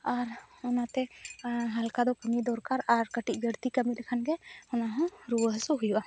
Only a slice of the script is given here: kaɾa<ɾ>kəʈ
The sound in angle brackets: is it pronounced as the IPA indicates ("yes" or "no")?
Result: yes